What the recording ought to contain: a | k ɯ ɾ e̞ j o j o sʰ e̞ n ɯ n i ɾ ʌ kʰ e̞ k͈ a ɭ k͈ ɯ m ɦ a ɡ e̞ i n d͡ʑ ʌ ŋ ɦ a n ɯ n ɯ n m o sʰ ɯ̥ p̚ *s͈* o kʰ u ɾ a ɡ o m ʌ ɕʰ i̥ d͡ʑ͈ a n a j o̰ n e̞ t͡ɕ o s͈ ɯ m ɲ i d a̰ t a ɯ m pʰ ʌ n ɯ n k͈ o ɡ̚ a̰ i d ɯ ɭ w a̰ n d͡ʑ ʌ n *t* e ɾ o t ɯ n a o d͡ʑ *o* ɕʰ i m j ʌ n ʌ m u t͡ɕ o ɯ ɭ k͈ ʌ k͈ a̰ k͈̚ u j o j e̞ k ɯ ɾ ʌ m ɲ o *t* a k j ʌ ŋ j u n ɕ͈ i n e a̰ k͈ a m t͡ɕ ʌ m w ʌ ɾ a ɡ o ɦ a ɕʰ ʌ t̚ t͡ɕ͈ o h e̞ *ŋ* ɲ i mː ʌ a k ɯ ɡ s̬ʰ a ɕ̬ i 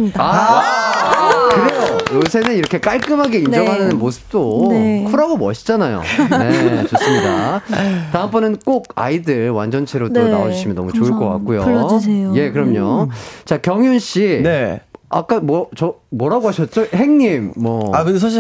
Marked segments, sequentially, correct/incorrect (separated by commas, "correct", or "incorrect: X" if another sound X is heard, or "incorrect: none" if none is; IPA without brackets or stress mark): incorrect: t͈, incorrect: t͡ɕʰ, incorrect: u, incorrect: t͡ɕ, correct